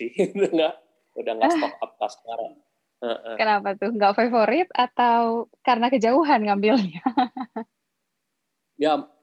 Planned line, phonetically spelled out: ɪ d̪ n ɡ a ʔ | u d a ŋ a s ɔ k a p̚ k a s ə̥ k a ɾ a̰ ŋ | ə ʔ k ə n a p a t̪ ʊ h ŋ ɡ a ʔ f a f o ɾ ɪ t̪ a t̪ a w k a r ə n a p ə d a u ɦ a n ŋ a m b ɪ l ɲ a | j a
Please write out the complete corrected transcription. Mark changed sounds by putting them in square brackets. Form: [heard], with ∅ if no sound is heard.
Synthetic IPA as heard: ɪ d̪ [ŋ] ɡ a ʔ | u d a ŋ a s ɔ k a p̚ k a s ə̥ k a ɾ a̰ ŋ | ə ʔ k ə n a p a t̪ ʊ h ŋ ɡ a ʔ f a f o ɾ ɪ t̪ a t̪ a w k a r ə n a [k] ə [d͡ʒ] a u ɦ a n ŋ a m b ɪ l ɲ a | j a